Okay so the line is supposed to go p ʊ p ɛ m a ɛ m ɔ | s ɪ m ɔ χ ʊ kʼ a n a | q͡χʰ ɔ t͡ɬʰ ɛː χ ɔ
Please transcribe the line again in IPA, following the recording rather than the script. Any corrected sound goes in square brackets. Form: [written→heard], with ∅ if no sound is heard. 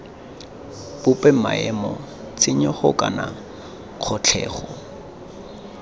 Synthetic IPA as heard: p ʊ p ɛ m a ɛ m ɔ | [s→t͡s] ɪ [m→ɲ] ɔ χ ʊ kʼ a n a | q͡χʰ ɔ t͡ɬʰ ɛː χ ɔ